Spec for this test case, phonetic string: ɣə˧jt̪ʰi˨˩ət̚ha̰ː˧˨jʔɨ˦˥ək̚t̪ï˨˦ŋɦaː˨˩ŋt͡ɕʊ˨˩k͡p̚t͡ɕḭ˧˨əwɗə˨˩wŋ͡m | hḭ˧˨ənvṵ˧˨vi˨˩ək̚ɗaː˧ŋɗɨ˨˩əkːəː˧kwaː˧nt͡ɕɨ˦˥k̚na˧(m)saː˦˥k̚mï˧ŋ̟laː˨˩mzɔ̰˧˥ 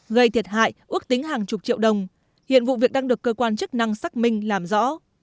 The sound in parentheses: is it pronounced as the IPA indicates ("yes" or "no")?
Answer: no